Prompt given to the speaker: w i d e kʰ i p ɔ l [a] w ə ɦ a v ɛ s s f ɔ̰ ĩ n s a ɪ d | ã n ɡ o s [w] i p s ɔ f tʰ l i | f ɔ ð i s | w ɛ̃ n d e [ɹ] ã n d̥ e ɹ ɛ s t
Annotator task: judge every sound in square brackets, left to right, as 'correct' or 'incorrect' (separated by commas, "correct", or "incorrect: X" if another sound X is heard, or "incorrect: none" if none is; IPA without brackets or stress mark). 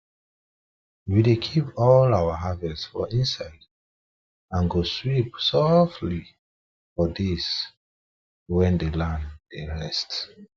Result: correct, correct, incorrect: l